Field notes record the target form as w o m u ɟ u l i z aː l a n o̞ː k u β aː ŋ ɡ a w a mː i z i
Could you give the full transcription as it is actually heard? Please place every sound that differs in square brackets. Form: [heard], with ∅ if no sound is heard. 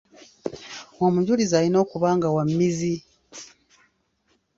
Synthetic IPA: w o m u ɟ u l i z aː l [i] n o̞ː k u β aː ŋ ɡ a w a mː i z i

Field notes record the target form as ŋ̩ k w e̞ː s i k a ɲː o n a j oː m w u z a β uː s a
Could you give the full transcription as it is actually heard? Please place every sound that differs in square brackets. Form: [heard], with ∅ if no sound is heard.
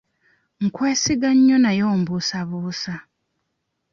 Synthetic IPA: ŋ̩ k w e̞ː s i [ɡ] a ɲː o n a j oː m [b] u [s] a β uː s a

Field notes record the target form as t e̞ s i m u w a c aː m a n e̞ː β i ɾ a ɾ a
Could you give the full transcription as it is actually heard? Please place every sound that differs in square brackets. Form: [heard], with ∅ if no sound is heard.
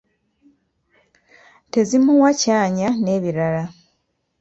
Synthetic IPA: t e̞ [z] i m u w a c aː [ɲ] a n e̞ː β i ɾ a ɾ a

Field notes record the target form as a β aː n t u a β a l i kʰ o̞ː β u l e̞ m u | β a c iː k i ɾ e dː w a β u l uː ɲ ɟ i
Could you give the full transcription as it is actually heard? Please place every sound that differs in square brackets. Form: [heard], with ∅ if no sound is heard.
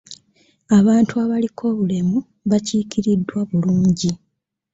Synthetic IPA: a β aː n t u a β a l i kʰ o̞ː β u l e̞ m u | β a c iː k i ɾ [i] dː w a β u l uː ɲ ɟ i

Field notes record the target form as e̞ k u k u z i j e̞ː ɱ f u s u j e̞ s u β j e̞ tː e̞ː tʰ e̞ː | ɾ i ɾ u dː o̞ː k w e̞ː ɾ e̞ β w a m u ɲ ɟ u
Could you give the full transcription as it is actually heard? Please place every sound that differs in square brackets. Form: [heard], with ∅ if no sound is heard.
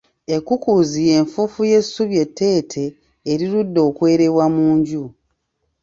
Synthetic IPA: e̞ k u k u z i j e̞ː ɱ f u [f] u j e̞ s u β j e̞ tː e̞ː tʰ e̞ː | ɾ i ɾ u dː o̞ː k w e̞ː ɾ e̞ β w a m [uː] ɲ ɟ u

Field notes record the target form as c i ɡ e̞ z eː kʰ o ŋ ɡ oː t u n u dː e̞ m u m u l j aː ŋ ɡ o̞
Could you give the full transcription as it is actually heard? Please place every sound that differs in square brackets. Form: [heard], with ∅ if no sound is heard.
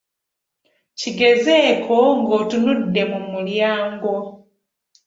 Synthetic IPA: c i ɡ e̞ z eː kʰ o ŋ ɡ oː t u n u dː e̞ m u m u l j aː ŋ ɡ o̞

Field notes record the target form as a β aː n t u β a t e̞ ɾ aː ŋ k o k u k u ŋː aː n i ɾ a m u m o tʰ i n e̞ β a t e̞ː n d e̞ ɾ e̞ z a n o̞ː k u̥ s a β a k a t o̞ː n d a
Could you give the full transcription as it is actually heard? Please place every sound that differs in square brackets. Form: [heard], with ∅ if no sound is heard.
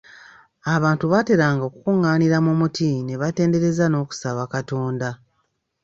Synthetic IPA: a β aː n t u β a t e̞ ɾ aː ŋ [ɡ] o k u k u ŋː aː n i ɾ a m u m [u] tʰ i n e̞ β a t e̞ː n d e̞ ɾ e̞ z a n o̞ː k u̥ s a β a k a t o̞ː n d a

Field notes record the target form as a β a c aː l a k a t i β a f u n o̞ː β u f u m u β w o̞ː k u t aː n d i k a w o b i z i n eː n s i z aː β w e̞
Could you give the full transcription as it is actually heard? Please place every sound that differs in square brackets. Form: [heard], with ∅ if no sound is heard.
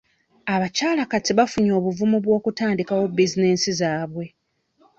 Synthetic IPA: a β a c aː l a k a t i β a f u [ɲ] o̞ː β u [v] u m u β w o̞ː k u t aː n d i k a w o b i z i n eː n s i z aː β w e̞

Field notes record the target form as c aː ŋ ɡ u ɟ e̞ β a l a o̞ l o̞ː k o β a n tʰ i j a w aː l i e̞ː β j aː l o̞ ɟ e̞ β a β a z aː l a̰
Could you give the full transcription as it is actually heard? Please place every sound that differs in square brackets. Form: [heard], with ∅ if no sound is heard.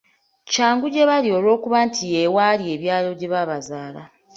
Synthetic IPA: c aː ŋ ɡ u ɟ e̞ β a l [i] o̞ l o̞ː k [u] β a n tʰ i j [e] w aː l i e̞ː β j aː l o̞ ɟ e̞ β a β a z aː l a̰

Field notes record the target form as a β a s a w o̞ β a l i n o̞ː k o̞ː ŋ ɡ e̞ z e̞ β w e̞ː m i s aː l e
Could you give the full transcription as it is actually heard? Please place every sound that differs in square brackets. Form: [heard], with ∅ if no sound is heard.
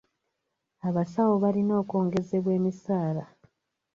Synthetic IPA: a β a s a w o̞ β a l i n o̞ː k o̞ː ŋ ɡ e̞ z e̞ β w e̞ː m i s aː l [a]

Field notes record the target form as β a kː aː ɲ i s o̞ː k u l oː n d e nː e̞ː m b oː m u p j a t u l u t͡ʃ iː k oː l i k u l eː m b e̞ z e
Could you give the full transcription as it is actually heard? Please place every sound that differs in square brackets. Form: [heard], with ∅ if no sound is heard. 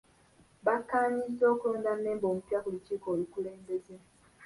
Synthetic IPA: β a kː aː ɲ i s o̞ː k u l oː n d [a] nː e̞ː m b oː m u p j a [k] u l u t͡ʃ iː k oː l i k u l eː m b e̞ z e

